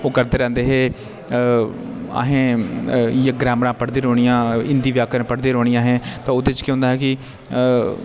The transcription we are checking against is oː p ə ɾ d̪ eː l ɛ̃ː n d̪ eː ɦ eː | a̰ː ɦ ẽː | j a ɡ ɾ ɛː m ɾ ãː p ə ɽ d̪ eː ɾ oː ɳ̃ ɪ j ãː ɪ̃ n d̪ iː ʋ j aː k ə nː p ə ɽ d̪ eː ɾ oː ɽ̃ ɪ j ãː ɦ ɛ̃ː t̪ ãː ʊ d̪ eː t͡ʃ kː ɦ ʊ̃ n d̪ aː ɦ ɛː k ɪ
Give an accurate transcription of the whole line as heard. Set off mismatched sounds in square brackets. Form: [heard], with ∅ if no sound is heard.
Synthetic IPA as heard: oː [k] ə ɾ d̪ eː [ɾ] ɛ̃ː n d̪ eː ɦ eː | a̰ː ɦ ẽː | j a ɡ ɾ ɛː m ɾ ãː p ə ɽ d̪ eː ɾ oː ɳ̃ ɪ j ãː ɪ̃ n d̪ iː ʋ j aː k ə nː p ə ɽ d̪ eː ɾ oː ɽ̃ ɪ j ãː ɦ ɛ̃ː t̪ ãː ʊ d̪ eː t͡ʃ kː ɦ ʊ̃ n d̪ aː ɦ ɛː k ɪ